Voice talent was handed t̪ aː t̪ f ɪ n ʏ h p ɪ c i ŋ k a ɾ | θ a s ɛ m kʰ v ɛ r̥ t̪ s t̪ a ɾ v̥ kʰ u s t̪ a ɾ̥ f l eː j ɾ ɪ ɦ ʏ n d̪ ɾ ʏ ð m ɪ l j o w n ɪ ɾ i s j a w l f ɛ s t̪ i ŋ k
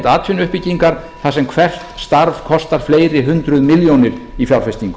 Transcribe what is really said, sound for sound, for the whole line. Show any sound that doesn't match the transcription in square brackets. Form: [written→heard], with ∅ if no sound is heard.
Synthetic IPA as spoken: t̪ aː t̪ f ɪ n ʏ h p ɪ c i ŋ k a ɾ | θ a s ɛ m kʰ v ɛ r̥ t̪ s t̪ a ɾ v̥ kʰ [u→ɔ] s t̪ a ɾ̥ f l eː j ɾ ɪ ɦ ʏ n [d̪→t̪] ɾ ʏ ð m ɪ l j o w n ɪ ɾ i [s→f] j a w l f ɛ s t̪ i ŋ k